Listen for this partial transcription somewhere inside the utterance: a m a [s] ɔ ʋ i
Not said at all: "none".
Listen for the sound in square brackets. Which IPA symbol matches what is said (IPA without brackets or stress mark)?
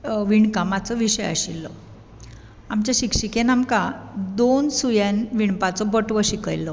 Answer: t͡s